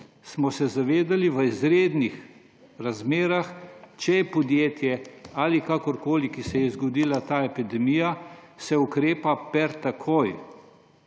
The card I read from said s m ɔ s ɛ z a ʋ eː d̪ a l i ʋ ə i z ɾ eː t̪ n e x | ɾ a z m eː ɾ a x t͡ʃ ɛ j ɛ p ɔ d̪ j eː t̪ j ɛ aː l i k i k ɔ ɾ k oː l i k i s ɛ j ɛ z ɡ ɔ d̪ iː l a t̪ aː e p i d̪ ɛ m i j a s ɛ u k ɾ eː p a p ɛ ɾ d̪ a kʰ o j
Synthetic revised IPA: s m ɔ s ɛ z a ʋ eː d̪ a l i ʋ ə i z ɾ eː d̪ n i x | ɾ a z m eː ɾ a x t͡ʃ ɛ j ɛ p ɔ d̪ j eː t̪ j ɛ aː l i k a k ɔ ɾ k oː l i k i s ɛ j ɛ z ɡ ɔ d̪ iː l a t̪ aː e p i d̪ ɛ m i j a s ɛ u k ɾ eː p a p ɛ ɾ t̪ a kʰ o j